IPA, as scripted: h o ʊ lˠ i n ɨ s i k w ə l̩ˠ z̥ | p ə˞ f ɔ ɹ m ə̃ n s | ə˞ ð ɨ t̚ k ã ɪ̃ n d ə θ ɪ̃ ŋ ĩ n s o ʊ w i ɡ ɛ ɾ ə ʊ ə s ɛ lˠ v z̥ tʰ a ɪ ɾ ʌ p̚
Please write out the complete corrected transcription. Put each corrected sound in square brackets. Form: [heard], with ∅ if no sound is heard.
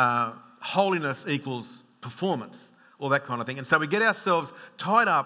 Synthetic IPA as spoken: h o ʊ lˠ i n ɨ s i k w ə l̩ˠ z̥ | [pʰ] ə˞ f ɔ ɹ m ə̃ n s | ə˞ ð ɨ t̚ [kʰ] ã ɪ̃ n d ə θ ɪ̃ ŋ [ɨ̃] n s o ʊ w i ɡ ɛ ɾ [a] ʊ ə s ɛ lˠ v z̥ tʰ a ɪ ɾ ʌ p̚